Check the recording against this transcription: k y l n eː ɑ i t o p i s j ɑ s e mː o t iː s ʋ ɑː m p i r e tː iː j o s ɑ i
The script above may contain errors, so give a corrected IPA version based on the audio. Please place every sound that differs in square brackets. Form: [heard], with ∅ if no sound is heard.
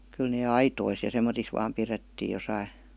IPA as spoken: k y l n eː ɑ i t o [∅] i s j ɑ s e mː o t [i] s ʋ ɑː m p i r e tː iː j o s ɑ i